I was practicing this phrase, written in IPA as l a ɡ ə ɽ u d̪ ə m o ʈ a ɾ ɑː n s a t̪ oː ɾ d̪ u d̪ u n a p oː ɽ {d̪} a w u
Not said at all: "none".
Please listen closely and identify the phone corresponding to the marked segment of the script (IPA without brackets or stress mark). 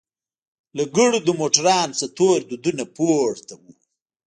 t̪